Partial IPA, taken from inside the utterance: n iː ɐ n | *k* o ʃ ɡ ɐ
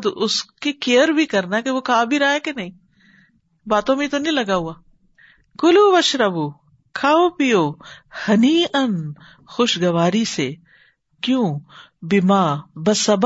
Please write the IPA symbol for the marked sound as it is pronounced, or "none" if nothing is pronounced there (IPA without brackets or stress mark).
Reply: x